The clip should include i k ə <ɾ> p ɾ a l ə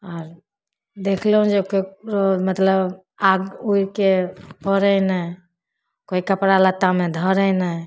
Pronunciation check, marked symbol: incorrect: none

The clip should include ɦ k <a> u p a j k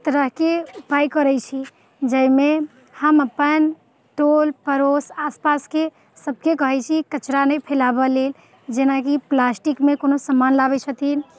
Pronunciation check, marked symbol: incorrect: e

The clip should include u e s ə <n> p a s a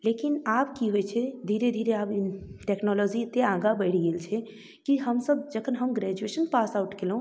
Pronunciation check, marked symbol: correct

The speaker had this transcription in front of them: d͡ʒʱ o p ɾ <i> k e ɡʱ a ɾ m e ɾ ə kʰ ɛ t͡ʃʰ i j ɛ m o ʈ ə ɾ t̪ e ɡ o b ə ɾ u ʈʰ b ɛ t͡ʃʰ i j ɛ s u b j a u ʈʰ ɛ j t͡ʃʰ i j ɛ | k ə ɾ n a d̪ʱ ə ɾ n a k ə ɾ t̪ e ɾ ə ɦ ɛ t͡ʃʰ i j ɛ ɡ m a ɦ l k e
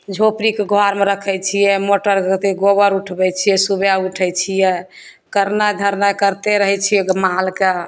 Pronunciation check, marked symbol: correct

